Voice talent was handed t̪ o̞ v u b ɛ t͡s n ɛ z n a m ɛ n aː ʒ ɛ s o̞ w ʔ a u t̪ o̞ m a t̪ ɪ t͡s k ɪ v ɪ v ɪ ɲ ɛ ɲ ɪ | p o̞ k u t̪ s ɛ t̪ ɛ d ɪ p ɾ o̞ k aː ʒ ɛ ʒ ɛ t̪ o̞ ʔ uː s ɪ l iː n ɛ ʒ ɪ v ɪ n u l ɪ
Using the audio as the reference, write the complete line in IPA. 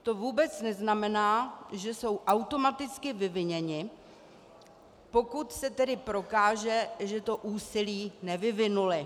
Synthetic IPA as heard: t̪ o̞ v uː b ɛ t͡s n ɛ z n a m ɛ n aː ʒ ɛ s o̞ w ʔ a w t̪ o̞ m a t̪ ɪ t͡s k ɪ v ɪ v ɪ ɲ ɛ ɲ ɪ | p o̞ k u t̪ s ɛ t̪ ɛ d ɪ p ɾ o̞ k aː ʒ ɛ ʒ ɛ t̪ o̞ ʔ uː s ɪ l iː n ɛ v ɪ v ɪ n u l ɪ